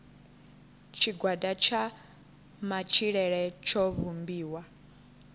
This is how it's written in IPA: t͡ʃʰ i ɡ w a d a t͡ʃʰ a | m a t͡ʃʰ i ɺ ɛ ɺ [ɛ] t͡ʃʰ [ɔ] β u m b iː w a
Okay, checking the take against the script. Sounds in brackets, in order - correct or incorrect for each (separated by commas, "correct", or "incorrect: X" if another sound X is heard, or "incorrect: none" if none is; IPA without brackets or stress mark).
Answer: correct, correct